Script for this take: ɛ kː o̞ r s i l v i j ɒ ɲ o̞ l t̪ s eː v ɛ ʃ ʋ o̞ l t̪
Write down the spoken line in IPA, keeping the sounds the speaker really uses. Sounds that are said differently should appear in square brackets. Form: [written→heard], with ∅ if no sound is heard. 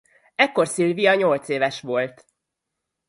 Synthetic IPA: ɛ kː o̞ r s i l v i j ɒ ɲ o̞ l t̪ s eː v ɛ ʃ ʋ o̞ l t̪